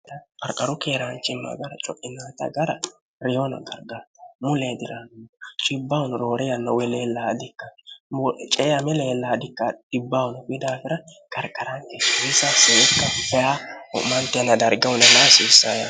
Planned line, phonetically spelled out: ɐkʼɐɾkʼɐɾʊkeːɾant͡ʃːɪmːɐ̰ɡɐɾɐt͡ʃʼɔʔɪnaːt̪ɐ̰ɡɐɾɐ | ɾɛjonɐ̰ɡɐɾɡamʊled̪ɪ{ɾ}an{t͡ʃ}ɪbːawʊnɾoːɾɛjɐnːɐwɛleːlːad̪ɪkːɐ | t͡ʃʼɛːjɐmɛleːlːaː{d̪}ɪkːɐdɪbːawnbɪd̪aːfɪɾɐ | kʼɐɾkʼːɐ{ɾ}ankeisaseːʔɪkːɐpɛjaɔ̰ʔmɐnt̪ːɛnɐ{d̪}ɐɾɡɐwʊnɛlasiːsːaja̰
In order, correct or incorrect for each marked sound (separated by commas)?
correct, incorrect, correct, correct, correct